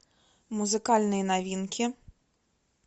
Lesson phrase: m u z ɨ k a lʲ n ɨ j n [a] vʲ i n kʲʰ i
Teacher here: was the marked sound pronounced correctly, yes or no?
yes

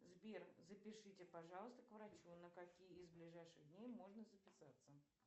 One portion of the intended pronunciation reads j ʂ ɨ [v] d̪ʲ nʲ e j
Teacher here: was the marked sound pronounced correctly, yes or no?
no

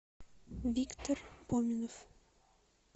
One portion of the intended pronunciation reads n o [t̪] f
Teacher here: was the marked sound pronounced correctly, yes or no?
no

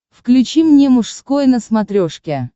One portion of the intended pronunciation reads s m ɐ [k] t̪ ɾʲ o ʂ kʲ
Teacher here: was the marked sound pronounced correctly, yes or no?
no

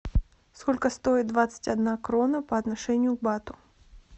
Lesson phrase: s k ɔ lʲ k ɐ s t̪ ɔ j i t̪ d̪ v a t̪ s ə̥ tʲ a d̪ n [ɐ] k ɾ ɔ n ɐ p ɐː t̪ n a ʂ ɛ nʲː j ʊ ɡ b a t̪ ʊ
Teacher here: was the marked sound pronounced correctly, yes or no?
no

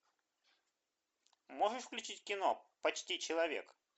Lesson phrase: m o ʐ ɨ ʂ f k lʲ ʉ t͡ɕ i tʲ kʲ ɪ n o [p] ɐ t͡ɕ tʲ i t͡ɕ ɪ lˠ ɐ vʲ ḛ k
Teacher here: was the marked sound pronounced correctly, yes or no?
yes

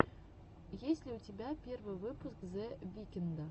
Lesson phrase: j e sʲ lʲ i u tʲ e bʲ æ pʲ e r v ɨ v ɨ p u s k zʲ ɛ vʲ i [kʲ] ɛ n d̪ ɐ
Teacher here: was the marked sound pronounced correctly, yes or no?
yes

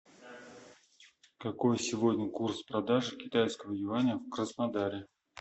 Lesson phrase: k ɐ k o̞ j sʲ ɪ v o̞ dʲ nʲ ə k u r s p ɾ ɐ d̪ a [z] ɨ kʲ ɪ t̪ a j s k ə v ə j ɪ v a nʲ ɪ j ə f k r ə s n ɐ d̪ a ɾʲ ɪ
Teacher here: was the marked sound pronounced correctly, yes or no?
no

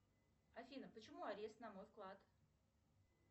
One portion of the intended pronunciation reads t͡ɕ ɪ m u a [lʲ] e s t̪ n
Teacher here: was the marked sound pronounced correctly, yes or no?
no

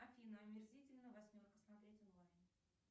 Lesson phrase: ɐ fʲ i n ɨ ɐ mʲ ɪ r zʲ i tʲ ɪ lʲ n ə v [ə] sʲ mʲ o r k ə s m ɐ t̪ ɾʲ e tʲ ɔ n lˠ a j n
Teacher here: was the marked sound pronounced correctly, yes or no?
no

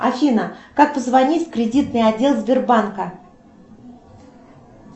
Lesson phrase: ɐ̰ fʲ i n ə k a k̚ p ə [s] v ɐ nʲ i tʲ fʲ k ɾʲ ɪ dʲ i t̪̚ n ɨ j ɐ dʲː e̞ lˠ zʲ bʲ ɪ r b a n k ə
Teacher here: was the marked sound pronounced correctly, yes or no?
no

